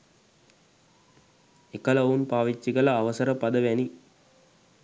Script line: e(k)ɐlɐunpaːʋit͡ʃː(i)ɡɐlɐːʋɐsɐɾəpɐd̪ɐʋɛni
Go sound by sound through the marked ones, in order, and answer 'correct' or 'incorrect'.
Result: correct, correct

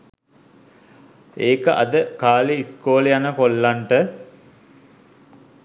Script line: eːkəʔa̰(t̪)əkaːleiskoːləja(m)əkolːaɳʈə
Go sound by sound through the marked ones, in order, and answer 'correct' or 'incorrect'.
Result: incorrect: d̪, incorrect: n

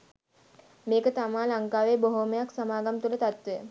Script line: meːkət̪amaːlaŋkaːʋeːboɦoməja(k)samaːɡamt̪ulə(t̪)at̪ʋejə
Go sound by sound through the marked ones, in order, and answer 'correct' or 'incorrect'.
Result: correct, correct

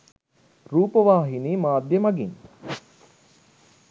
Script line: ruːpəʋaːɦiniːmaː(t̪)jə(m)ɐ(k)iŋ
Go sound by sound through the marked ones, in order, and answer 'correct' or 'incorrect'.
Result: incorrect: d̪, correct, incorrect: ɡ

